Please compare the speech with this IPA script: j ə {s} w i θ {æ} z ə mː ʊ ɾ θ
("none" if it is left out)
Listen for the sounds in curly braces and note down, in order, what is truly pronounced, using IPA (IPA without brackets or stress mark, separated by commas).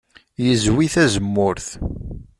z, æ